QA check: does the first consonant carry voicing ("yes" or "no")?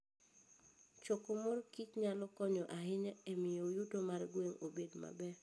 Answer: no